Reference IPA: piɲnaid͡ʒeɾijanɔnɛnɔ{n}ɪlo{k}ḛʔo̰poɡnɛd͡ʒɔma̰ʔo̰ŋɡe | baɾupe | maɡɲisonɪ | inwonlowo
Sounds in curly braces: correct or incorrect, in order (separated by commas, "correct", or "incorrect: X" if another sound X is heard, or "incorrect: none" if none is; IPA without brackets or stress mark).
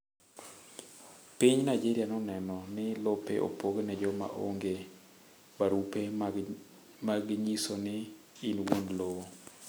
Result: correct, incorrect: p